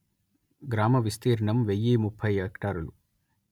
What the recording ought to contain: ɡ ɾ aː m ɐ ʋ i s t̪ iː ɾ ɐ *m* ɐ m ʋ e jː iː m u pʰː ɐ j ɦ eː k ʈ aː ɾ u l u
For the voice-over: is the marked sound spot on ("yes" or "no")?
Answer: no